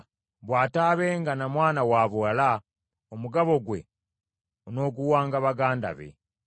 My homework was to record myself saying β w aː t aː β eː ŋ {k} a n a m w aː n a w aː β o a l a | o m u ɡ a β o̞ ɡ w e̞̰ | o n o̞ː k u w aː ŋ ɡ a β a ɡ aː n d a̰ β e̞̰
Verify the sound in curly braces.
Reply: incorrect: ɡ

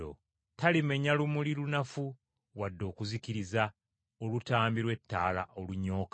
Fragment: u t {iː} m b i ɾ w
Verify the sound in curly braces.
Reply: incorrect: aː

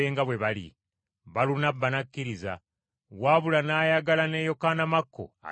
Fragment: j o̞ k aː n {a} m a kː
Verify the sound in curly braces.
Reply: correct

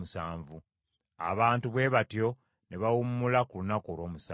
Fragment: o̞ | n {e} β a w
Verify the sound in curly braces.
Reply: correct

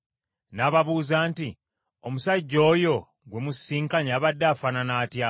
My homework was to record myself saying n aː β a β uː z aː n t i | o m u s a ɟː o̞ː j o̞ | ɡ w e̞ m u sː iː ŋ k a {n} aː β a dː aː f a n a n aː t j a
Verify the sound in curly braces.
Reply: incorrect: ɲ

